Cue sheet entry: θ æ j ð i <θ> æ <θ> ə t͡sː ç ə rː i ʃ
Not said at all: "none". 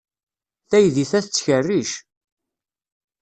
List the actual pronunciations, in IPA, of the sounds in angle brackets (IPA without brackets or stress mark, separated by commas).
θ, θ